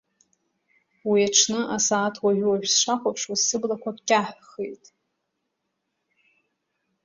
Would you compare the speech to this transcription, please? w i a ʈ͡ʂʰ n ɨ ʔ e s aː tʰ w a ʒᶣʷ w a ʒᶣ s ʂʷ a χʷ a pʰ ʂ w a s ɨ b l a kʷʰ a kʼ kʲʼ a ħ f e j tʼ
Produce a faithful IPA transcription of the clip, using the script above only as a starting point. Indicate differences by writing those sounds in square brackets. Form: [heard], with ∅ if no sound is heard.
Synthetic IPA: w i a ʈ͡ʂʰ n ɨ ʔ [a] s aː tʰ w a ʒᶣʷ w a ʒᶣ s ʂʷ a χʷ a pʰ ʂ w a s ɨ b l a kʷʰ a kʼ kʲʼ a ħ [χ] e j tʼ